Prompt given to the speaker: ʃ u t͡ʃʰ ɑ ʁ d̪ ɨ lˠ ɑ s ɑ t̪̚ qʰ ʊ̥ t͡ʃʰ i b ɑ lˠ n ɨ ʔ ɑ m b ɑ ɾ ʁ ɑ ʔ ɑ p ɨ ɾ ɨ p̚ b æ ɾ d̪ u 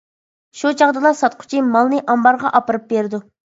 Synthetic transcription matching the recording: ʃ u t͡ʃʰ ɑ ʁ d̪ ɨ lˠ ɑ s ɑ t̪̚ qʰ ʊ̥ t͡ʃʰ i m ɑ lˠ n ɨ ʔ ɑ m b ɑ ɾ ʁ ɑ ʔ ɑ p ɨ ɾ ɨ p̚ b e ɾ d̪ u